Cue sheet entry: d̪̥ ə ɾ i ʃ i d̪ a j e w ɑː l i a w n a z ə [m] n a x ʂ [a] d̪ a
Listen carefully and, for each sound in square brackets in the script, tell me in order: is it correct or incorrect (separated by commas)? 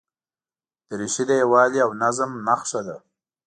correct, correct